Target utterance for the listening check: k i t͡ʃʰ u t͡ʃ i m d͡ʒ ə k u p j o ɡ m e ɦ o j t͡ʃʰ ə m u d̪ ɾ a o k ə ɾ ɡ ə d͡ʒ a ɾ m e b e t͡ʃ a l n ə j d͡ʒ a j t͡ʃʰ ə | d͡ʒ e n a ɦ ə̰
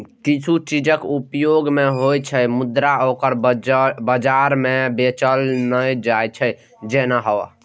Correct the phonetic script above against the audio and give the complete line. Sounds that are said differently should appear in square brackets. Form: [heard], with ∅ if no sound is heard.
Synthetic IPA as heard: k i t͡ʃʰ u t͡ʃ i [∅] d͡ʒ ə k u p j o ɡ m e ɦ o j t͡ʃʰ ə m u d̪ ɾ a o k ə ɾ [b] ə d͡ʒ a ɾ m e b e t͡ʃ [ə] l n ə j d͡ʒ a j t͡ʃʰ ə | d͡ʒ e n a ɦ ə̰